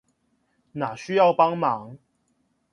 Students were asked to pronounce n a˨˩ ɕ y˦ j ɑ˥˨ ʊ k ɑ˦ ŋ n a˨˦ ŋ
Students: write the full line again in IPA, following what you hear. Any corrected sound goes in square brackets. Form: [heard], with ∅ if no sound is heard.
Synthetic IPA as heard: n a˨˩ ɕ y˦ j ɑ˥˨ ʊ [p] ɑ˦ ŋ [m] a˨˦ ŋ